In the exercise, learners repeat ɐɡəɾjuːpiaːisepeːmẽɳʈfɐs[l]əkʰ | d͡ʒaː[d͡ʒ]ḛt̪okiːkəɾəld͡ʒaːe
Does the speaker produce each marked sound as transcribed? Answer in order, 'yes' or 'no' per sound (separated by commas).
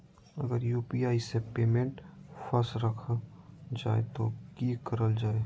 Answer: no, no